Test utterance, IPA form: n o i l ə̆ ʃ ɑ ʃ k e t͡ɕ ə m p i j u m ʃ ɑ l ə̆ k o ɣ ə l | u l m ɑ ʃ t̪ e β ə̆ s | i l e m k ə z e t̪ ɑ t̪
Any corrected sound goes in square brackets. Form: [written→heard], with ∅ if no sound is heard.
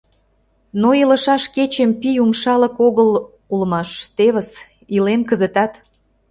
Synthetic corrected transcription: n o i l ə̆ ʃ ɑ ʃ k e t͡ɕ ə m p i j u m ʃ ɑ l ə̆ k o ɣ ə l | u l m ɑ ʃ t̪ e β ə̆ s | i l e m k ə z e t̪ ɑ t̪